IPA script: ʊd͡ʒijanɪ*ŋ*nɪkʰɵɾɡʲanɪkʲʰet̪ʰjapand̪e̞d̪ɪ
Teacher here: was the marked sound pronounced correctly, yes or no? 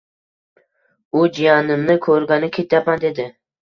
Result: no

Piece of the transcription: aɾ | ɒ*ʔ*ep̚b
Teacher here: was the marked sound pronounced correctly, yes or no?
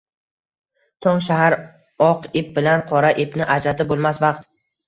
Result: no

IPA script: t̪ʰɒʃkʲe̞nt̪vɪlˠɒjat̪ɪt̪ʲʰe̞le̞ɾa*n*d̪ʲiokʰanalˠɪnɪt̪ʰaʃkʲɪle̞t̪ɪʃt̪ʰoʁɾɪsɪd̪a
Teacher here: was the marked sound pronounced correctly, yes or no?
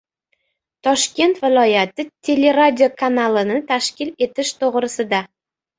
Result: no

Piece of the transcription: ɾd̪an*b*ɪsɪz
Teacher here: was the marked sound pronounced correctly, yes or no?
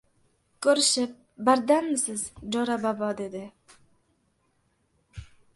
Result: no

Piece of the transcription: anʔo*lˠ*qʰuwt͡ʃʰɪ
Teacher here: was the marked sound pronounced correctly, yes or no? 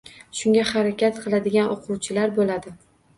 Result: no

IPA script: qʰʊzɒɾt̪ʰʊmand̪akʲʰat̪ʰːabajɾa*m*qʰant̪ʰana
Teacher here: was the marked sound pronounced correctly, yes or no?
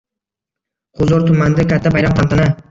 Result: yes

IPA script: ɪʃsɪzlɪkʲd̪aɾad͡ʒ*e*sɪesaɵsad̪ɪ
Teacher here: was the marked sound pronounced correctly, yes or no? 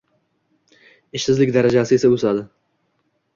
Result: no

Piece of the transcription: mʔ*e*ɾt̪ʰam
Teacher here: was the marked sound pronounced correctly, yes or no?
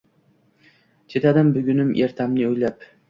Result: yes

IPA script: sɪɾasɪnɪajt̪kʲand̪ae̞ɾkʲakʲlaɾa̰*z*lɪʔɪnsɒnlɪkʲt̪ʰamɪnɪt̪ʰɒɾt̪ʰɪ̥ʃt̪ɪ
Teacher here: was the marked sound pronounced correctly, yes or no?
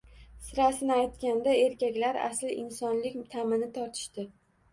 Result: no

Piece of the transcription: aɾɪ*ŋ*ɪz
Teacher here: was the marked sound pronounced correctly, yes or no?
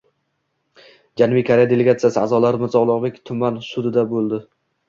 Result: no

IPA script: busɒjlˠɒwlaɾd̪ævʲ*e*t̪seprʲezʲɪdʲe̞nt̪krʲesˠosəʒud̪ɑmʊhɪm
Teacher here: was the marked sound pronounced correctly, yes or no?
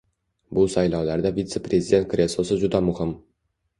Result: no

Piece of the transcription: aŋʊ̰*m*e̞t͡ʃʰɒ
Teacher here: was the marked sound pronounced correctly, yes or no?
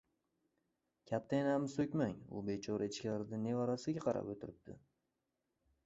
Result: no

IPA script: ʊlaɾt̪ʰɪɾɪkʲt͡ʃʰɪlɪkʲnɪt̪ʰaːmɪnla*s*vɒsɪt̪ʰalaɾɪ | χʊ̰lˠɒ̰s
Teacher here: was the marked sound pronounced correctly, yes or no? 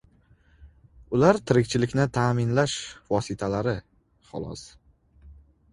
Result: no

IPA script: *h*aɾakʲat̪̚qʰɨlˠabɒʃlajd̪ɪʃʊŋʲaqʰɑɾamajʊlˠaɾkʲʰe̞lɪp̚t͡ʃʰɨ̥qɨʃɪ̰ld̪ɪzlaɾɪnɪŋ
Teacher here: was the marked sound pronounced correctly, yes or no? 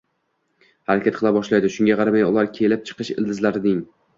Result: yes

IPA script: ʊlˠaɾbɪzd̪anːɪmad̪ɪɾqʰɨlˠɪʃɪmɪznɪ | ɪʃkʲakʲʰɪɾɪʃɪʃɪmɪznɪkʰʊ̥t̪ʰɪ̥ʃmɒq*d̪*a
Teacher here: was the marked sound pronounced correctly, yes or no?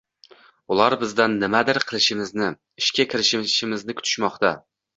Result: no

